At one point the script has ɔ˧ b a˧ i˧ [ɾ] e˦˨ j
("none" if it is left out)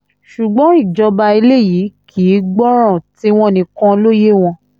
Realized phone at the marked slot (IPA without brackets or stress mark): l